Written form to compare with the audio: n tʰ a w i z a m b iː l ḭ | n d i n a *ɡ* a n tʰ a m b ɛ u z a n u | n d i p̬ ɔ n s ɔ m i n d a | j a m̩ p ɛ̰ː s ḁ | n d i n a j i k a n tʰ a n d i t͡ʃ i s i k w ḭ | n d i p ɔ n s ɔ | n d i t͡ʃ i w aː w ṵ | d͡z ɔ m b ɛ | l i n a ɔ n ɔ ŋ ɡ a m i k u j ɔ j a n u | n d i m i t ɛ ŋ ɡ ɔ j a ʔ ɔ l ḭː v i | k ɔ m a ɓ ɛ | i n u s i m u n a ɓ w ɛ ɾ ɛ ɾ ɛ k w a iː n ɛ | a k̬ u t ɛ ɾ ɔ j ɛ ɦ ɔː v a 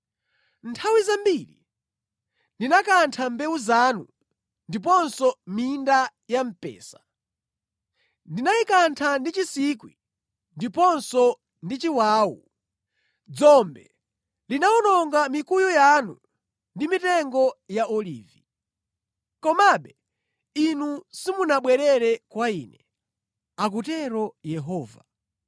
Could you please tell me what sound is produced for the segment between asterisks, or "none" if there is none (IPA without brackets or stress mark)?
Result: k